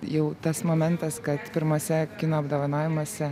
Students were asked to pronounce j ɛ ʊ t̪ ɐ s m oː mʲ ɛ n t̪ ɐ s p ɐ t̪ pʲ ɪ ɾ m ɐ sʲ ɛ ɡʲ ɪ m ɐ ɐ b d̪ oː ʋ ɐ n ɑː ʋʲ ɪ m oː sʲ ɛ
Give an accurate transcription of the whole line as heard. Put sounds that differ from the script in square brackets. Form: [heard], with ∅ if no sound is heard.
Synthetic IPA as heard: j ɛ ʊ t̪ ɐ s m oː mʲ ɛ n t̪ ɐ s [k] ɐ t̪ pʲ ɪ ɾ m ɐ sʲ ɛ [kʲ] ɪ [n] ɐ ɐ b d̪ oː ʋ ɐ n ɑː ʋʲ ɪ m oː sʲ ɛ